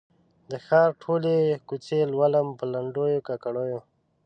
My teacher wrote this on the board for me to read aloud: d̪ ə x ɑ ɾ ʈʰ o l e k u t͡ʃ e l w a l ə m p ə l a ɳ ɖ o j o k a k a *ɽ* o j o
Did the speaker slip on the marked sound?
no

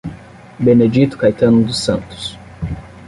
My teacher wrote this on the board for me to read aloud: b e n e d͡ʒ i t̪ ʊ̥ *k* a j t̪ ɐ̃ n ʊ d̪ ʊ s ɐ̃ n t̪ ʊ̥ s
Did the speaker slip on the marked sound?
no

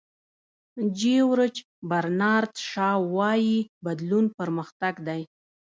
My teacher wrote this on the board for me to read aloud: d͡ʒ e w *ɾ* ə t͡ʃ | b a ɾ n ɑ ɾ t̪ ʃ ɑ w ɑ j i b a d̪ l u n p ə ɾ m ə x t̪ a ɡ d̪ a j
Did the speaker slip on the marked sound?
no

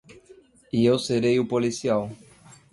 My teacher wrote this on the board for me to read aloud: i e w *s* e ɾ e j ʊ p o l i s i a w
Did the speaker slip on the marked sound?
no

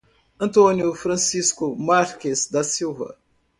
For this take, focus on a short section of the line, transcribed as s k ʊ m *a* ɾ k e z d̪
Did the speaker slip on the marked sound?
no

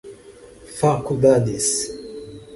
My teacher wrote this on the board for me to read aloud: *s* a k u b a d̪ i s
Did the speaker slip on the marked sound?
yes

